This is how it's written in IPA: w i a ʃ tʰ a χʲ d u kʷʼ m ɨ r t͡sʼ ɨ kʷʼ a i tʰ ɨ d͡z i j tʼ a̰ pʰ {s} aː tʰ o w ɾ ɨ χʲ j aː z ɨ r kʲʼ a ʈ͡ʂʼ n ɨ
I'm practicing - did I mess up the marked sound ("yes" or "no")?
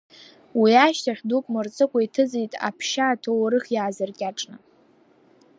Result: yes